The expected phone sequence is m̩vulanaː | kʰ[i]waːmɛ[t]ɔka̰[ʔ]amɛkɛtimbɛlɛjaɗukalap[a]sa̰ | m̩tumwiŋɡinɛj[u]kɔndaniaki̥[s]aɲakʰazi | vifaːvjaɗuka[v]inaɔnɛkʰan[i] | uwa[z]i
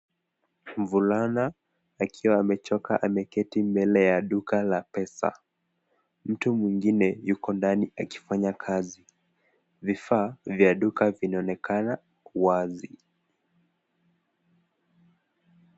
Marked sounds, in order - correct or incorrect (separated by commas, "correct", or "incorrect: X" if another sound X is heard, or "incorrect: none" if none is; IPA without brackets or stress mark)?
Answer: correct, incorrect: t͡ʃ, correct, incorrect: ɛ, correct, incorrect: f, correct, incorrect: a, correct